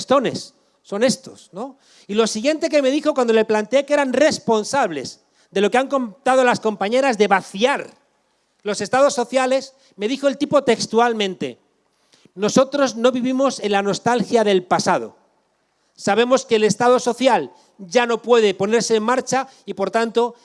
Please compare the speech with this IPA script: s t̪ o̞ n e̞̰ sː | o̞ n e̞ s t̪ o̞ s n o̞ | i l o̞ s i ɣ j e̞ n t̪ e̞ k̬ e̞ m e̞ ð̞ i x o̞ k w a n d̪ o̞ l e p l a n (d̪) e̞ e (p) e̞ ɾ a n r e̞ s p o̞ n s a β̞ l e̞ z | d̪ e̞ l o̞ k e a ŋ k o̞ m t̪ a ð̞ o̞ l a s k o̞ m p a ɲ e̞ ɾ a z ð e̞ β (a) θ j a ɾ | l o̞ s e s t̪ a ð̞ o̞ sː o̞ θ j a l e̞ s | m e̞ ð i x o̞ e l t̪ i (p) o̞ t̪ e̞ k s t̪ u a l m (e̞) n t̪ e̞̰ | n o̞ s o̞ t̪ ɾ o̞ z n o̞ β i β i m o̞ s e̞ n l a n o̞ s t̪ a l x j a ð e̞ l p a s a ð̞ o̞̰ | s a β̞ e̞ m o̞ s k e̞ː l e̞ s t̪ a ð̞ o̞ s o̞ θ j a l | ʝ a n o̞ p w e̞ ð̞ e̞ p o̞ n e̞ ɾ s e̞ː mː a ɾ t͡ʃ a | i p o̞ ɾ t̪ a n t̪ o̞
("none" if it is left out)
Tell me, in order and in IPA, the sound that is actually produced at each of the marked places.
t̪, k, a, p, ẽ̞

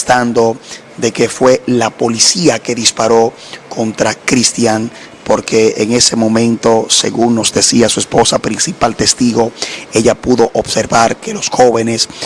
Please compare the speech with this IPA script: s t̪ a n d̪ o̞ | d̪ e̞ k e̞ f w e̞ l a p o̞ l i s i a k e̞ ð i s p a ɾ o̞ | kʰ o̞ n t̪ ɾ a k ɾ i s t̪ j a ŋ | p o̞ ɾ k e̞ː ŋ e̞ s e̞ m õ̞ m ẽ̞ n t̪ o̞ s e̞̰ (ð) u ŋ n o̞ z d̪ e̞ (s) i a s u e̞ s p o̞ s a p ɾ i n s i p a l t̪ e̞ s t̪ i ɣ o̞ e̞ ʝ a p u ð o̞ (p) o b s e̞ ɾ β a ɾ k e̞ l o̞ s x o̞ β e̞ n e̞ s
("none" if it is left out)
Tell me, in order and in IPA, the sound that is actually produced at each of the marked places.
ɣ, s, ʔ

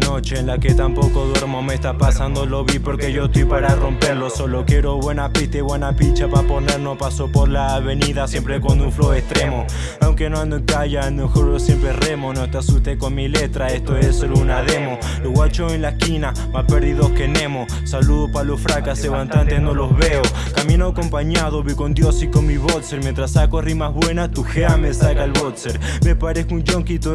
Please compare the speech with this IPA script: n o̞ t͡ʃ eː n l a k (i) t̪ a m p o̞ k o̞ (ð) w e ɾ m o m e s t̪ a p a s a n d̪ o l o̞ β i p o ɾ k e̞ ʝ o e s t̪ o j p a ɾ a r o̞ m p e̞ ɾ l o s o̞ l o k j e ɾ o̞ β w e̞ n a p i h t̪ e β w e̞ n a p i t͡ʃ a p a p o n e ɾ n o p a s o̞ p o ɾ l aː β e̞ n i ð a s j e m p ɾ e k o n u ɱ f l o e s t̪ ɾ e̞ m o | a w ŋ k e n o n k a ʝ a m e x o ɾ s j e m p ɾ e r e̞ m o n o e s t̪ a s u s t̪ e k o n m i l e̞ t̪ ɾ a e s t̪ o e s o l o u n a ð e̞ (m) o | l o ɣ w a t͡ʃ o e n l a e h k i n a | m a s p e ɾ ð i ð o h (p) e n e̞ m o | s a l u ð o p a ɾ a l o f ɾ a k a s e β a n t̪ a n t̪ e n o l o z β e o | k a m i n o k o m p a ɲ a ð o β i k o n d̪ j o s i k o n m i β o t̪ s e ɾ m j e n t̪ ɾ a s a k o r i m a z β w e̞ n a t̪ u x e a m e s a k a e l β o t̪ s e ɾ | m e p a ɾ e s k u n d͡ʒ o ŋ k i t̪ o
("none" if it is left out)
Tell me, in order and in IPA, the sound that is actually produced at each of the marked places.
e, ð, m, k

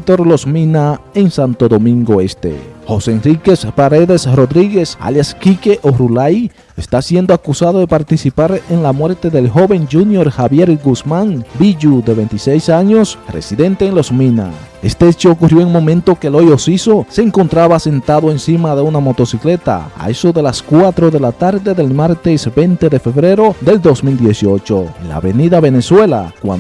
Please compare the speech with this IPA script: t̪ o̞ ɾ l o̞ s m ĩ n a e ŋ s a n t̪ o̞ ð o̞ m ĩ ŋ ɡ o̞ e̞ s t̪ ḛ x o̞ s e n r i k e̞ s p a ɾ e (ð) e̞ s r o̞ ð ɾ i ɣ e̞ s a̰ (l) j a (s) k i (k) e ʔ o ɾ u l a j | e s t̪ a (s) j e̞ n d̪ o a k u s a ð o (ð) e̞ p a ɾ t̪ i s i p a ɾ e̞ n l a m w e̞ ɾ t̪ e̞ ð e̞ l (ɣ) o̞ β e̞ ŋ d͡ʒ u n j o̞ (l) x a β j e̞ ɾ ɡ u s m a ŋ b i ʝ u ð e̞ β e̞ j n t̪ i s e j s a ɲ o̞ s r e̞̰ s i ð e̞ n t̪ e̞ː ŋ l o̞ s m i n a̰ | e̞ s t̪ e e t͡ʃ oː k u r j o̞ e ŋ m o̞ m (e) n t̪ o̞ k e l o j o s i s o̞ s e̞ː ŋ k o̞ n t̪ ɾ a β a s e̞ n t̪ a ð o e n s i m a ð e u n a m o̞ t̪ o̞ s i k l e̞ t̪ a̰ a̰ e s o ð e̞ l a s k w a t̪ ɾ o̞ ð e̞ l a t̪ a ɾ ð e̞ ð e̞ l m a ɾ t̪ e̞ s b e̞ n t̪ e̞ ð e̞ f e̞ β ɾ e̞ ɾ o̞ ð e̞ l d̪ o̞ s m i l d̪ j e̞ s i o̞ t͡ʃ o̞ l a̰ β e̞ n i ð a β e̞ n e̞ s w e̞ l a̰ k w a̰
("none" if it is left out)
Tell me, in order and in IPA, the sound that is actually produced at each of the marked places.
ð, l, s, k, s, ð, x, ɾ, ẽ

